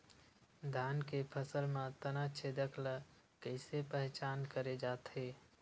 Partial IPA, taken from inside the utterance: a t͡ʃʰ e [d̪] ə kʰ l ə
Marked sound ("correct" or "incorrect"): correct